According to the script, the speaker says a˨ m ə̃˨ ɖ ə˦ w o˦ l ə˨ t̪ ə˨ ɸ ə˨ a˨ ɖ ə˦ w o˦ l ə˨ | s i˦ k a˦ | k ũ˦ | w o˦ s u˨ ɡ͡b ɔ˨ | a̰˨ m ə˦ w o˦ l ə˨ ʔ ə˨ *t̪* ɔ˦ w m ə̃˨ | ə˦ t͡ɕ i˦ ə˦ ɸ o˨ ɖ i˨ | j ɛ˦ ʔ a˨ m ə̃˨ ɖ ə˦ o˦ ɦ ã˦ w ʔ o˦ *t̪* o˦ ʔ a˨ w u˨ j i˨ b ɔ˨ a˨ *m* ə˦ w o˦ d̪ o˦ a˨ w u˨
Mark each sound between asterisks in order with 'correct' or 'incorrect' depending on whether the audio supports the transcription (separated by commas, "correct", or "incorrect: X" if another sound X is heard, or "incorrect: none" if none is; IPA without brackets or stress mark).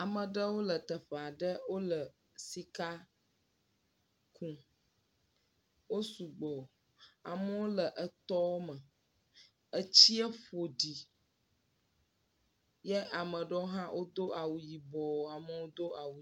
correct, incorrect: d̪, correct